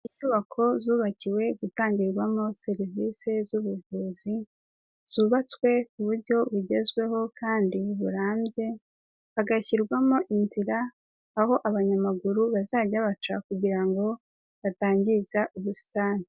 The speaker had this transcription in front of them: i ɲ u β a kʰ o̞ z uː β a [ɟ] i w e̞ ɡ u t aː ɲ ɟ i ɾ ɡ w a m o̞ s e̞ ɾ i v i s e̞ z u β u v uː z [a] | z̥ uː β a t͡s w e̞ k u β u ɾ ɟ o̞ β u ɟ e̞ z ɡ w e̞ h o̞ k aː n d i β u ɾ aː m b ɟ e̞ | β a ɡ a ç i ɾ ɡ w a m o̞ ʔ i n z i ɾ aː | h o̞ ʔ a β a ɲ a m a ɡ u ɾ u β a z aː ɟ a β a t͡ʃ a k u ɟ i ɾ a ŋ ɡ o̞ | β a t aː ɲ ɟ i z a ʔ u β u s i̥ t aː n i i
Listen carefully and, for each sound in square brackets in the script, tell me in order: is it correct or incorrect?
incorrect: c, incorrect: i

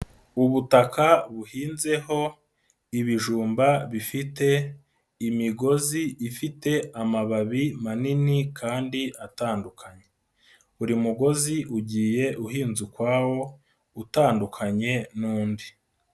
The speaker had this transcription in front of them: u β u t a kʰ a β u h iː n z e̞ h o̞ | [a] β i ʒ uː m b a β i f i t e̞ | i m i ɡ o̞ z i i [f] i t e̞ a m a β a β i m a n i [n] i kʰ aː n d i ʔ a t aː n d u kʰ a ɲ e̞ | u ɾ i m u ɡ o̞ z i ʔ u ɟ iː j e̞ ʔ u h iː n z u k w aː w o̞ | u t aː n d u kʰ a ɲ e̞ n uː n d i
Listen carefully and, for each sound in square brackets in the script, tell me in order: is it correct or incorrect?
incorrect: i, correct, correct

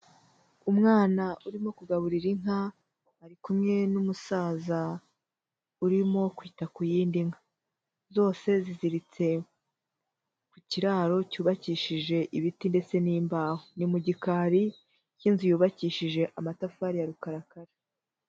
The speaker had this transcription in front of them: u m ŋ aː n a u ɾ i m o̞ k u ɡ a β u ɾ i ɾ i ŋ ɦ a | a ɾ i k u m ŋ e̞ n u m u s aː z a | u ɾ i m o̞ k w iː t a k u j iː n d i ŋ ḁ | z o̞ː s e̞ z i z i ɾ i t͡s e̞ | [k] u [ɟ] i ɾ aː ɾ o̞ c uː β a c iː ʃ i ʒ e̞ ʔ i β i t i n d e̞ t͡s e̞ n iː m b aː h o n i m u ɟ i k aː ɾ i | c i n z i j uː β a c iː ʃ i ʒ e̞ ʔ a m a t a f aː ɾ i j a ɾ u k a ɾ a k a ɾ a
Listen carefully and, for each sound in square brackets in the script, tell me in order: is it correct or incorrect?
correct, incorrect: c

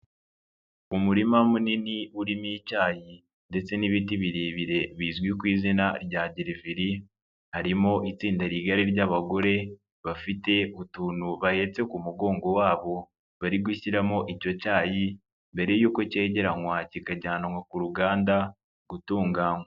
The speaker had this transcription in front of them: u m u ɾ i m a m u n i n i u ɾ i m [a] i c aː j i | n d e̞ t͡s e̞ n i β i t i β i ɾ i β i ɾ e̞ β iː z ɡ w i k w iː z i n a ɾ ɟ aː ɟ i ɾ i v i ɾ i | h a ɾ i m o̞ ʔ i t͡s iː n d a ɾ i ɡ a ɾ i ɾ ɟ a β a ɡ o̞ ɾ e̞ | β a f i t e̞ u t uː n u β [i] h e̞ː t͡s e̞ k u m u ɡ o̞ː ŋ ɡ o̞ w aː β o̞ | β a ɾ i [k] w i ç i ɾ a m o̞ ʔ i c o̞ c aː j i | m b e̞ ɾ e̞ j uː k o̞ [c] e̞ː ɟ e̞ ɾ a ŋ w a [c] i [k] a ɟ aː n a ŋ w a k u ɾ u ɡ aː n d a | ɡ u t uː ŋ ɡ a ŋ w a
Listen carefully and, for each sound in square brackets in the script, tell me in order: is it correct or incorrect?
incorrect: i, incorrect: a, incorrect: ɡ, correct, correct, correct

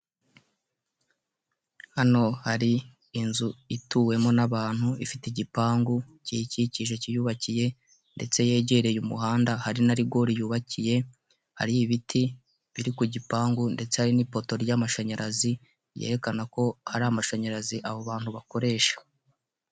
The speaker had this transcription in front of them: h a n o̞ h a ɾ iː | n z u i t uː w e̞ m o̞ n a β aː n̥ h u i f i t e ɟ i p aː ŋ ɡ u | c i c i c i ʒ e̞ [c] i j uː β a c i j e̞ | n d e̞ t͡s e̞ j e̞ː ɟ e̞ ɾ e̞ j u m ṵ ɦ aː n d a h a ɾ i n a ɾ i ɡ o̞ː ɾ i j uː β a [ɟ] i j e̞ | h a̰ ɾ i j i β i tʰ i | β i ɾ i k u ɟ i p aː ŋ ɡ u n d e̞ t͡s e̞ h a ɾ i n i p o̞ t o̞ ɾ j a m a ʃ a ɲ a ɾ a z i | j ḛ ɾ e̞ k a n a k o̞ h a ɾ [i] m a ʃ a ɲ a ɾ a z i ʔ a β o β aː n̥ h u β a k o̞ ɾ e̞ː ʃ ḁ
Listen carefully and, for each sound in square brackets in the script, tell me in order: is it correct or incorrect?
correct, incorrect: c, incorrect: a

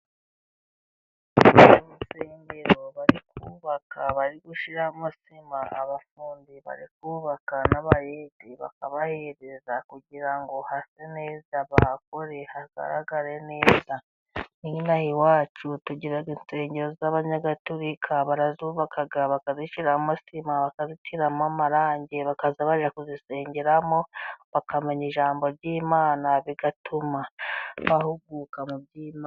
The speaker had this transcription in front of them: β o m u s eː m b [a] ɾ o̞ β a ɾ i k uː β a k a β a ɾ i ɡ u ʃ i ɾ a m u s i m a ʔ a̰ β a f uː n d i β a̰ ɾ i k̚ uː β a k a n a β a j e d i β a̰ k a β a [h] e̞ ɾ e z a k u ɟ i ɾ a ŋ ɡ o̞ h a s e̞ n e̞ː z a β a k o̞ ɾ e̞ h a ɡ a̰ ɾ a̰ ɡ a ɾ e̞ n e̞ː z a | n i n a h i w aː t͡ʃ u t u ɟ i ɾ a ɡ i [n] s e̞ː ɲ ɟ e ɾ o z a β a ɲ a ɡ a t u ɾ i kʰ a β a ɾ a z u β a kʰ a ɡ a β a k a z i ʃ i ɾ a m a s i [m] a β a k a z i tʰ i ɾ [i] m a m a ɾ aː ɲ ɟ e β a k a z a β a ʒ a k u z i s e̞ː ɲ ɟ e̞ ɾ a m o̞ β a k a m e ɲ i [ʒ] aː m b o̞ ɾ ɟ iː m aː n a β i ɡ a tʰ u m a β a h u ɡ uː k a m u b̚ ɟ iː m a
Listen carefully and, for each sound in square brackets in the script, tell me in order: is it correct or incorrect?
incorrect: e, correct, correct, correct, incorrect: a, correct

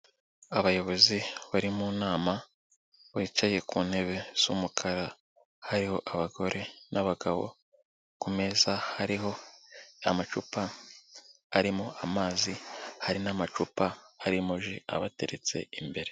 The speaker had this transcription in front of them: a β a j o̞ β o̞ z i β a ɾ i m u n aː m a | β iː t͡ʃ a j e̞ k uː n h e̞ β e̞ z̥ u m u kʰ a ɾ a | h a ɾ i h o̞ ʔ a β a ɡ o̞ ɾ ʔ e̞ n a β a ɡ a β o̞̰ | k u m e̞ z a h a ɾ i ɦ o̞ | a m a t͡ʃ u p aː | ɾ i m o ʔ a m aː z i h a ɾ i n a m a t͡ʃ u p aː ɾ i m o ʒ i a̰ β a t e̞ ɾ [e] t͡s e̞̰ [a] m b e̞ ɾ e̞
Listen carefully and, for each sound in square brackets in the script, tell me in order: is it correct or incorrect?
correct, incorrect: i

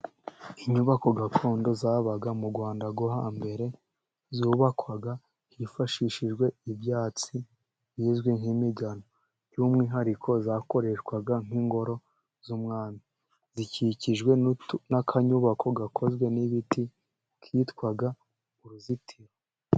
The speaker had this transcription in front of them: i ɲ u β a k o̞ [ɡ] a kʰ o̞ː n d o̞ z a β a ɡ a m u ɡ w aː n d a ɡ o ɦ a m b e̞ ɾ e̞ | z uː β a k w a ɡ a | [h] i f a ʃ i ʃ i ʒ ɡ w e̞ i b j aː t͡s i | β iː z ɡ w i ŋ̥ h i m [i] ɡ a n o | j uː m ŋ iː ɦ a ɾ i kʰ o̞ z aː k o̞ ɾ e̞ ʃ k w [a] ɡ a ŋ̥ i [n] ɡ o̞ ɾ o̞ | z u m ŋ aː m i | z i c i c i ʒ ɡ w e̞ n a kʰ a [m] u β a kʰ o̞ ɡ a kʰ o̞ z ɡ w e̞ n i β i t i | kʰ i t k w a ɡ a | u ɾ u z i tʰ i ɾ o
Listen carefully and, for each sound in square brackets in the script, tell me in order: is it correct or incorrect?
correct, correct, correct, correct, incorrect: ŋ, incorrect: ɲ

